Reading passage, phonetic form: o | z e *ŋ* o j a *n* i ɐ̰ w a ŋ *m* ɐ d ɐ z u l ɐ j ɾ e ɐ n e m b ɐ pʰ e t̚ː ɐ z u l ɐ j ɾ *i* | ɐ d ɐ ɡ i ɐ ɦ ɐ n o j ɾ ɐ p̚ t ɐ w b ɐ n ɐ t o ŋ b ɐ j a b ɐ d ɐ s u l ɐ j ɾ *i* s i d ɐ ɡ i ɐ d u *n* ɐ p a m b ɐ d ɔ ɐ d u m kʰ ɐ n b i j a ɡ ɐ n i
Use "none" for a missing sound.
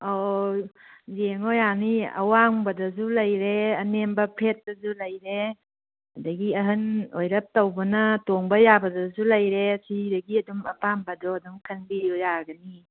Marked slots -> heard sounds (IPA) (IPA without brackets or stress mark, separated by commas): ŋ, n, b, e, e, m